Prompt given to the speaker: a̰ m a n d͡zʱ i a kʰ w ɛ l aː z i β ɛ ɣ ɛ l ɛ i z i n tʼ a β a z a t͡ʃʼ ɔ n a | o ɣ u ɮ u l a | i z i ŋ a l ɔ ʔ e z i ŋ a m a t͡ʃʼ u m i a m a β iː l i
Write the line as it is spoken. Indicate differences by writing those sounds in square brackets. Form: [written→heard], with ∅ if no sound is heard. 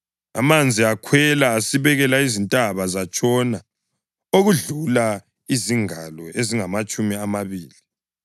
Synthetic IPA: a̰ m a n d͡zʱ i a kʰ w ɛ l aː [z→s] i β ɛ ɣ ɛ l [ɛ→a] i z i n tʼ a β a z a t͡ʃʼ ɔ n a | o ɣ u ɮ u l a | i z i ŋ a l ɔ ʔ e z i ŋ a m a t͡ʃʼ u m i a m a β iː l i